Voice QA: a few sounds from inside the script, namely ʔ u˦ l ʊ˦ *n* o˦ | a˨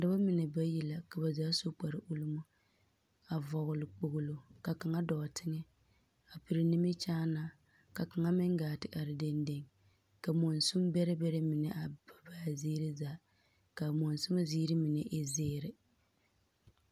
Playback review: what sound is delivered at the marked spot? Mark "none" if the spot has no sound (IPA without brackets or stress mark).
m